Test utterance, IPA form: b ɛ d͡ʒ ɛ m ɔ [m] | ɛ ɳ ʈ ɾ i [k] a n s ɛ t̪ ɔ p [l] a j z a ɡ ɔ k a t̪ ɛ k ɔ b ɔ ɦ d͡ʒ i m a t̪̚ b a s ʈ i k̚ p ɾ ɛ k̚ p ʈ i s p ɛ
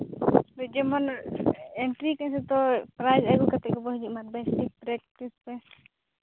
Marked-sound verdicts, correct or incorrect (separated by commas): incorrect, correct, incorrect